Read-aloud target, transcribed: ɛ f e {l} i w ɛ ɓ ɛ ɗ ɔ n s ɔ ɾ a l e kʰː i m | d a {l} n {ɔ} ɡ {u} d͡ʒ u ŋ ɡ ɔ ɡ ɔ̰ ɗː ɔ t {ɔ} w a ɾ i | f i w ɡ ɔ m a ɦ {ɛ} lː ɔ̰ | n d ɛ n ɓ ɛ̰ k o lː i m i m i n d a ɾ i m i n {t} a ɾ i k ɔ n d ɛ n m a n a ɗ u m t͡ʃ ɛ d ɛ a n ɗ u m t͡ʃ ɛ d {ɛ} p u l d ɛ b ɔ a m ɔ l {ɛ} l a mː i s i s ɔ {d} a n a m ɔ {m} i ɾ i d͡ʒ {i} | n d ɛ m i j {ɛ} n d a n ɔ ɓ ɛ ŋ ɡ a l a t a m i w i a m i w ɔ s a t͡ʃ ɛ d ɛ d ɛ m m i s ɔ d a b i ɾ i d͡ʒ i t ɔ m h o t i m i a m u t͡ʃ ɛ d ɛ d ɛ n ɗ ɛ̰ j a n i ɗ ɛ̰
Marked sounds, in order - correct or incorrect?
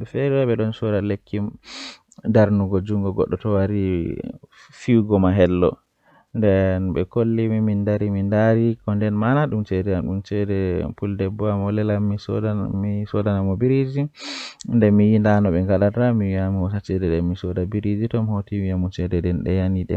incorrect, incorrect, incorrect, incorrect, correct, correct, incorrect, correct, correct, correct, incorrect, correct, incorrect

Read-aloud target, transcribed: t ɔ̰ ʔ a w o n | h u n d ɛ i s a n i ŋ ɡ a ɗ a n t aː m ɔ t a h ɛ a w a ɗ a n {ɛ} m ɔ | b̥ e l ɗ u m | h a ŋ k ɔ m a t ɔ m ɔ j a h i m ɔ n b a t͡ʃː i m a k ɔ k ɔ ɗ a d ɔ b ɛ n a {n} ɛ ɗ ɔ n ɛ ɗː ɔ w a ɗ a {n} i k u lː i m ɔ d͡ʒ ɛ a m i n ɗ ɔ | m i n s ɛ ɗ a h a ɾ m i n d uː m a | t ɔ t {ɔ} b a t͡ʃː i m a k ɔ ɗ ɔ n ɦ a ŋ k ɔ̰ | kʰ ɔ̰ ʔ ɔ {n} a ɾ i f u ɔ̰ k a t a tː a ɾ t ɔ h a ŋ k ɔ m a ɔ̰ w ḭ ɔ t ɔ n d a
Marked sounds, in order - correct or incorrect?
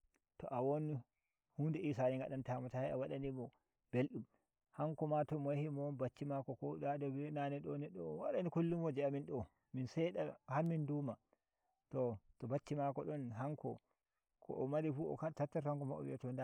incorrect, correct, correct, correct, incorrect

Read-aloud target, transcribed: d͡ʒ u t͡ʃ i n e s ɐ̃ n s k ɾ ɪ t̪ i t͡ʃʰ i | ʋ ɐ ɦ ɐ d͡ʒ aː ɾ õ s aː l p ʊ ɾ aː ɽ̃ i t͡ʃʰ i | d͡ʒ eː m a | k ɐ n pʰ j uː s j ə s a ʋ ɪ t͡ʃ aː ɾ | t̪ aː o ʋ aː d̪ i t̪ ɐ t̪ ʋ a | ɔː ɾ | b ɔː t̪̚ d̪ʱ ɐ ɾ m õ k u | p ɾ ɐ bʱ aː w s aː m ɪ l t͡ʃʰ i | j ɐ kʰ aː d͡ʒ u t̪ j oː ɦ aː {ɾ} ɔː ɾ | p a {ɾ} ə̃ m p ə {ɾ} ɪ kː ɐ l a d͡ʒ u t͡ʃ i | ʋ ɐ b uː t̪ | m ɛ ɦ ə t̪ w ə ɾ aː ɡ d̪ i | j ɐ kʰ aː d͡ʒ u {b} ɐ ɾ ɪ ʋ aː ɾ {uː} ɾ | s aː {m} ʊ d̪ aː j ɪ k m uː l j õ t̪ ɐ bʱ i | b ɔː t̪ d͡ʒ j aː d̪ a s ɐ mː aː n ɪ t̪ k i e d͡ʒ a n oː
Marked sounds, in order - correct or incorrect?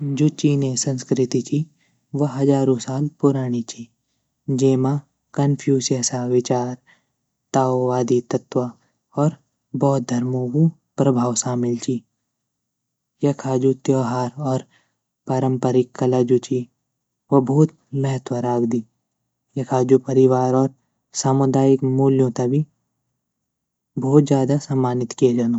correct, correct, correct, incorrect, incorrect, correct

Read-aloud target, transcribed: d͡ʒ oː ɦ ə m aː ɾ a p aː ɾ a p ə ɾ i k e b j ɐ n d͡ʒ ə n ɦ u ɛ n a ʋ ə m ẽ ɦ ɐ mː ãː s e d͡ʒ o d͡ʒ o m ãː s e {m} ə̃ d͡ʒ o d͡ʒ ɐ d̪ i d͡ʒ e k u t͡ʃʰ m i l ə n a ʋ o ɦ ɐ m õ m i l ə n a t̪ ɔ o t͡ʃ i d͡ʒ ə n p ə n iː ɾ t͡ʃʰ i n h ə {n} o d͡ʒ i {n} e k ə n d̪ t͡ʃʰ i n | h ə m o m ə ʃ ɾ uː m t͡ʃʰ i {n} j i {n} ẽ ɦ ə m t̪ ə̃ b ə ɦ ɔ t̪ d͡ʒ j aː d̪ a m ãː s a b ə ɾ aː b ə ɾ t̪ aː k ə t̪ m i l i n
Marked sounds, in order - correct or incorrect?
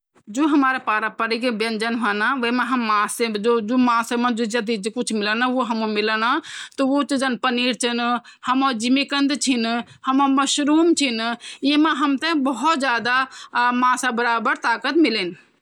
correct, incorrect, incorrect, correct, incorrect

